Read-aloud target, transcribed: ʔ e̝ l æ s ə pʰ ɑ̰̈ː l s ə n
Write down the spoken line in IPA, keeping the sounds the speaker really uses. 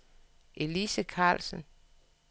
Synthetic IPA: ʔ e̝ l i s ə kʰ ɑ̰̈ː l s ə n